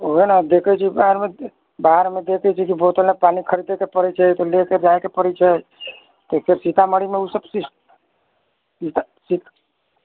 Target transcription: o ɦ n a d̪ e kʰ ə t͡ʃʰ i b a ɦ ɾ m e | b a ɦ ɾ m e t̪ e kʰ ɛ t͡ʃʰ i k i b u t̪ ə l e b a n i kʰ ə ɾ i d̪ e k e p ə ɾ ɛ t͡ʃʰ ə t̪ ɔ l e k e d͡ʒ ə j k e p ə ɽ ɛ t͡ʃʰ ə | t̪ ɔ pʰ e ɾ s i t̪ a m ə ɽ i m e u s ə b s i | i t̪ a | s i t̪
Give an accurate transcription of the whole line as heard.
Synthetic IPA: o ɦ n a d̪ e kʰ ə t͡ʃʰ i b a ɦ ɾ m e | b a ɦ ɾ m e d̪ e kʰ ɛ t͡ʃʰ i k i b o t̪ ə l e p a n i kʰ ə ɾ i d̪ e k e p ə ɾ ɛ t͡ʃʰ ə t̪ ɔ l e k e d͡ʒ a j k e p ə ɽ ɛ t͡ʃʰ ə | t̪ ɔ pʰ e ɾ s i t̪ a m ə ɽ i m e u s ə b s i | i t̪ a | s i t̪